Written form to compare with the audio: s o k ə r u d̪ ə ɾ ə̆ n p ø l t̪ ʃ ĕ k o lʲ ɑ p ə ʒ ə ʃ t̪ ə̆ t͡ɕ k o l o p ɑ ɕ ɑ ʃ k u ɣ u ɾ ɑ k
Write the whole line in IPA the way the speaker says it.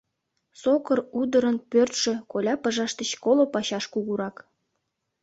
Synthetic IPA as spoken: s o k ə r u d̪ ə ɾ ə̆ n p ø r t̪ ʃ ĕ k o lʲ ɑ p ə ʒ ɑ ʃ t̪ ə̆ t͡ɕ k o l o p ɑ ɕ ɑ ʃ k u ɣ u ɾ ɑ k